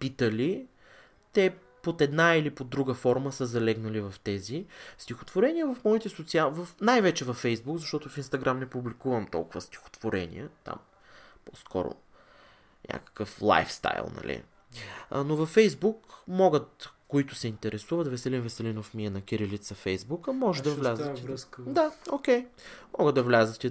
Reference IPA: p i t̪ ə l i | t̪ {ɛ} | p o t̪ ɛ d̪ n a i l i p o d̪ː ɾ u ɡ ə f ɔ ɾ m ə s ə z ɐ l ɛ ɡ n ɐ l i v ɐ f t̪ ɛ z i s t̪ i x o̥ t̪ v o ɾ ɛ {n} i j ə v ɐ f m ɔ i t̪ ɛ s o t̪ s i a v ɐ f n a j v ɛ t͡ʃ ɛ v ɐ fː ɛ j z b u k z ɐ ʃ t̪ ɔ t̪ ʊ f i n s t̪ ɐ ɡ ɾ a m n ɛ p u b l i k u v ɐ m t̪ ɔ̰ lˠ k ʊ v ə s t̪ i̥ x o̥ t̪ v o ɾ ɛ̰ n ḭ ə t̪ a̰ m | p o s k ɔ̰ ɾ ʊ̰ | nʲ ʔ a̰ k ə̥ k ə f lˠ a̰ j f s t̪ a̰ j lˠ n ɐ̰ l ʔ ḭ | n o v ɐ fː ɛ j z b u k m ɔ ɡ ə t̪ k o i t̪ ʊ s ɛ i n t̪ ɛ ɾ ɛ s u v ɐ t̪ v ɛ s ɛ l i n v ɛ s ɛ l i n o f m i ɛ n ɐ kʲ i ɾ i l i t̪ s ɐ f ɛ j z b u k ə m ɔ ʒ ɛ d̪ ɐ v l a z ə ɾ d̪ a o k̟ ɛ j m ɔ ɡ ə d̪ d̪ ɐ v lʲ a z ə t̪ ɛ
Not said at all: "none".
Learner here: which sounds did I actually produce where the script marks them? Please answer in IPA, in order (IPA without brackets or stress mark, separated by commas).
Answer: ɛ, n